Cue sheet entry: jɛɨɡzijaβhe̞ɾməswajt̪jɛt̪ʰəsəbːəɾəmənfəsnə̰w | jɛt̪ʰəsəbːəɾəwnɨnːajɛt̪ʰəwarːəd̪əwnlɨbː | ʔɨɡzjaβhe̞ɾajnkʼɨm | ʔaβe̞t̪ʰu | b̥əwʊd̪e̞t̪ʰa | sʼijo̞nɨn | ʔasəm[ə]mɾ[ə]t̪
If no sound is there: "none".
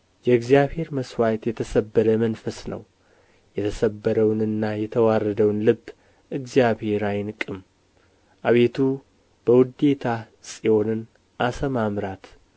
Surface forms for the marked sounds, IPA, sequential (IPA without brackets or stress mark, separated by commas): a, a